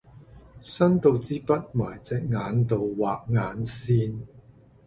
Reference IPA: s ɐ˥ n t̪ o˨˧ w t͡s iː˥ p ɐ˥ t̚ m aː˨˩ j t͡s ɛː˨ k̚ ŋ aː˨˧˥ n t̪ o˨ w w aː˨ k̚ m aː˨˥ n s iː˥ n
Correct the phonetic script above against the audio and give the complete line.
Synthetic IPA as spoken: s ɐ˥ n t̪ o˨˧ w t͡s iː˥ p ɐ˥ t̚ m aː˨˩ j t͡s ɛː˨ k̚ ŋ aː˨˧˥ n t̪ o˨ w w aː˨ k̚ ŋ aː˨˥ n s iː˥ n